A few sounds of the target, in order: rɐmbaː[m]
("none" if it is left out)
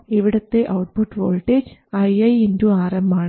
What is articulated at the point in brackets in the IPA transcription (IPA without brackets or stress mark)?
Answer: ɳ